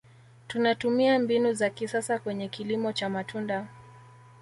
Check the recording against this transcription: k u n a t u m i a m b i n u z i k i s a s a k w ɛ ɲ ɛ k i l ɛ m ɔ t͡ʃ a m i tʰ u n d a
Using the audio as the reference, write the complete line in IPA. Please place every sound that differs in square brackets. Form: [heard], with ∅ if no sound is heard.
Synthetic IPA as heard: [t] u n a t u m i a m b i n u z [a] k i s a s a k w ɛ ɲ ɛ k i l [i] m ɔ t͡ʃ a m [a] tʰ u n d a